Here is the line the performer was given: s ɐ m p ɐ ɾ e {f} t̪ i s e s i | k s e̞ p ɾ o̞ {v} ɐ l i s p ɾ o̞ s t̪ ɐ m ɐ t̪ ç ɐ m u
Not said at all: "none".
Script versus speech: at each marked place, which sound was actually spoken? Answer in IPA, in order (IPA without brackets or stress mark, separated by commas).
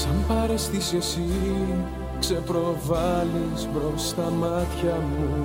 s, v